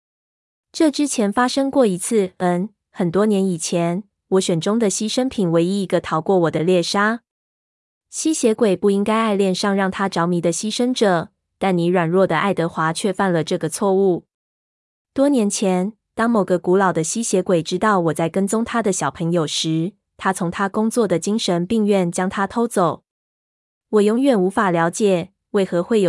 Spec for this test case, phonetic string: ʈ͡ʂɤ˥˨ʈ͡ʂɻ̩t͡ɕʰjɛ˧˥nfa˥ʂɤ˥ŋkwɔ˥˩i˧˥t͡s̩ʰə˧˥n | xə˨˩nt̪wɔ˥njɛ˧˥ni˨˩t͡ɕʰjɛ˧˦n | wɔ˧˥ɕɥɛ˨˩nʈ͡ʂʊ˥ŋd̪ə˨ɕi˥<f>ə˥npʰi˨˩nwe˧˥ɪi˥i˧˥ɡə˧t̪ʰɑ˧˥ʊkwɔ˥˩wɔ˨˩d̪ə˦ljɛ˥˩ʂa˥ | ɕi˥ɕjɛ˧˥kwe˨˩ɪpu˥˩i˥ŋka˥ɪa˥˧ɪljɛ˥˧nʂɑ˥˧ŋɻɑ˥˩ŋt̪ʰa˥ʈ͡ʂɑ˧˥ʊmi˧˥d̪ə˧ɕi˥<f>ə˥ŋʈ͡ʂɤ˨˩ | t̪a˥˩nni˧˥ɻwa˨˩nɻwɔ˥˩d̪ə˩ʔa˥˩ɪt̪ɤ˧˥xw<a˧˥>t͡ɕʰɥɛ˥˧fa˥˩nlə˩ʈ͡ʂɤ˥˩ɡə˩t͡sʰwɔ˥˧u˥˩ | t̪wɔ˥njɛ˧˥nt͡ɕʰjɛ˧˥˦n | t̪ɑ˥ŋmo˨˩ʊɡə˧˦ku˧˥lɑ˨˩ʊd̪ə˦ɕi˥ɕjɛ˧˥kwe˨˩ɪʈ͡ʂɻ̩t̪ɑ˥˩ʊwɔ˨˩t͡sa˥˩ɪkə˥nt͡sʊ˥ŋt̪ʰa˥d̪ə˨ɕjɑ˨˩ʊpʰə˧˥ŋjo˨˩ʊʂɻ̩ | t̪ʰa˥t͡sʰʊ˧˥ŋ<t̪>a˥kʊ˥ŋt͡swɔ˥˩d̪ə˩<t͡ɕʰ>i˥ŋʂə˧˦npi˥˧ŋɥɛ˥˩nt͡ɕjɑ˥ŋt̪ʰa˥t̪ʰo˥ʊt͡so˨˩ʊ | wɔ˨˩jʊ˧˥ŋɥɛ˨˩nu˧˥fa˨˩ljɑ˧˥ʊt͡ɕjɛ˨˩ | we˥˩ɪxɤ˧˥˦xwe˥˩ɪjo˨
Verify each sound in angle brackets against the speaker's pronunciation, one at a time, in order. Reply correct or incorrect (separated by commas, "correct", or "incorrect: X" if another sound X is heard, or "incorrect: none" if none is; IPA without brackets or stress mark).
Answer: incorrect: ʂ, incorrect: ʂ, correct, incorrect: t̪ʰ, incorrect: t͡ɕ